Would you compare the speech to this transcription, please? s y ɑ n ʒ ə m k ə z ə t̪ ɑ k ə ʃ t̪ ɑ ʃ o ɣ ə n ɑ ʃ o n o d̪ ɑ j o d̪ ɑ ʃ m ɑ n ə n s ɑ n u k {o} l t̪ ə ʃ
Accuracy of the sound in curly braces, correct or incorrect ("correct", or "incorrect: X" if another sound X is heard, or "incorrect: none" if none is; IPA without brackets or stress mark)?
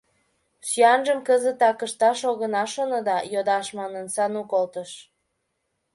correct